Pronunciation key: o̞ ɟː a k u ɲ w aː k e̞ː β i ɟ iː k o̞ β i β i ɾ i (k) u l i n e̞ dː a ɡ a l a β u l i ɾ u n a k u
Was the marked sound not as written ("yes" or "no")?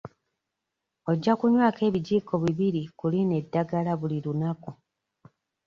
no